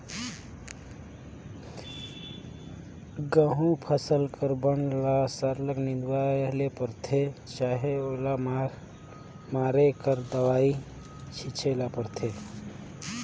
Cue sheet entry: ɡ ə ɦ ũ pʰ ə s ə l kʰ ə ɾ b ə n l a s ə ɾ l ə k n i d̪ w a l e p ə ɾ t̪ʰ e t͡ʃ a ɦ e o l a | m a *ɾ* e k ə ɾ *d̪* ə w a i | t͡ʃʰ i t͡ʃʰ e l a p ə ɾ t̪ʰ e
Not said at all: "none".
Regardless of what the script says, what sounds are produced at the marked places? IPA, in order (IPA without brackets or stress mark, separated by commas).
ɾ, d̪